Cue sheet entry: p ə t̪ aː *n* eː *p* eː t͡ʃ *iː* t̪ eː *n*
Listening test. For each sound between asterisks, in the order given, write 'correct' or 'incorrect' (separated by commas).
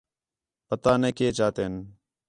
correct, incorrect, incorrect, correct